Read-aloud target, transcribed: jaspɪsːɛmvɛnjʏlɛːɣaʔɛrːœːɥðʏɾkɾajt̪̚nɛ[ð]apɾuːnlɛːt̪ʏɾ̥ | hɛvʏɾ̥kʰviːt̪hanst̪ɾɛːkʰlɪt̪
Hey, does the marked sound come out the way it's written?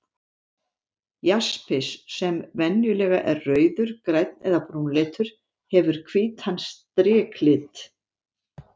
yes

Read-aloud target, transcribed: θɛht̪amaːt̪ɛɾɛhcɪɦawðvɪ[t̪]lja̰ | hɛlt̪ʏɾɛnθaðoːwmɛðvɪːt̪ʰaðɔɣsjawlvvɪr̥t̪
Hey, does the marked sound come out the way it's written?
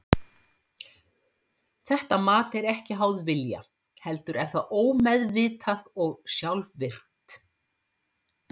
no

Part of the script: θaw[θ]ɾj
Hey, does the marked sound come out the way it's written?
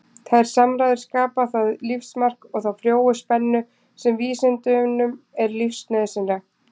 no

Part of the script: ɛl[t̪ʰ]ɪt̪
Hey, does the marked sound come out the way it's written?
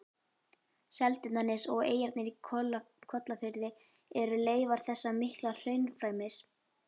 no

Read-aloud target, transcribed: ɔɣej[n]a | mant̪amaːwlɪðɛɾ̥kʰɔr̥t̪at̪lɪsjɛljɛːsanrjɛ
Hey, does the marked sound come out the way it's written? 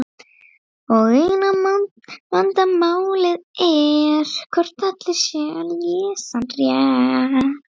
yes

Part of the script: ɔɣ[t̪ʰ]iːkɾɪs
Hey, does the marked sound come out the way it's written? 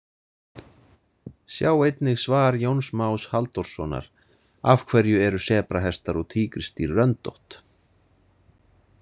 yes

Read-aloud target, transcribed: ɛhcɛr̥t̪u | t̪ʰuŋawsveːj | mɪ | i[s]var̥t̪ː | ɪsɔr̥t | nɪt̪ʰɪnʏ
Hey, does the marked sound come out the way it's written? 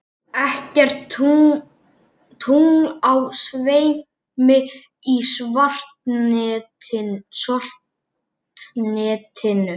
yes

